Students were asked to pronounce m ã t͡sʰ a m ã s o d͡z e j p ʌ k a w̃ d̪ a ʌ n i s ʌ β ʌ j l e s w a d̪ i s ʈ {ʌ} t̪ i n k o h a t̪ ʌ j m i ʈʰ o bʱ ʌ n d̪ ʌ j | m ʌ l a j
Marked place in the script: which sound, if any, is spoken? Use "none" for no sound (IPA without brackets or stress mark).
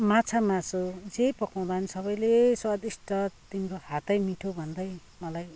ʌ